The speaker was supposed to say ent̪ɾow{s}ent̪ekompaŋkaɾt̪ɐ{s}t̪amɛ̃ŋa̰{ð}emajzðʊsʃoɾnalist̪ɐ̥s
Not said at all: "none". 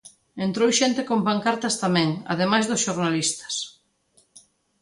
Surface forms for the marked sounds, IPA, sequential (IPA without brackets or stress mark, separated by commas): ʃ, s, ð